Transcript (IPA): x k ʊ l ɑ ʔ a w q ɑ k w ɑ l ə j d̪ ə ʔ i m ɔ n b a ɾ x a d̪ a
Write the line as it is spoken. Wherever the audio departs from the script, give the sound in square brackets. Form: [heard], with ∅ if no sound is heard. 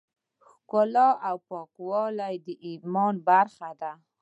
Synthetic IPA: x k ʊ l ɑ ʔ a w [p] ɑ k w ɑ l [a] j d̪ ə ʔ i m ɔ n b a ɾ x a d̪ a